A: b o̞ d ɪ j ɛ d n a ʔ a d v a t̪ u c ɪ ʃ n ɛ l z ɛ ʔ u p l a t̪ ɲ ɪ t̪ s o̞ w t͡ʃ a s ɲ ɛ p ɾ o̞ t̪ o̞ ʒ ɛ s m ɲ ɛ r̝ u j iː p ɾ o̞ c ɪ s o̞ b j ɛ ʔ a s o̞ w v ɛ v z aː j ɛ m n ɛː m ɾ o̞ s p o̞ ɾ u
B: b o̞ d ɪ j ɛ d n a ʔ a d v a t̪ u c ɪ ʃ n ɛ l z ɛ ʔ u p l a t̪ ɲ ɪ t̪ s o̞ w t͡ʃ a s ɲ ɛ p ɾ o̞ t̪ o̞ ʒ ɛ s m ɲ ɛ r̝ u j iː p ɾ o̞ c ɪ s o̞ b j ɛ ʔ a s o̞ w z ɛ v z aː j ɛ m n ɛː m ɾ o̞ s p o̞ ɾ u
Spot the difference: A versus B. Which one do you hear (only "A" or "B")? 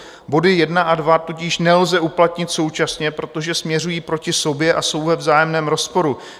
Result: A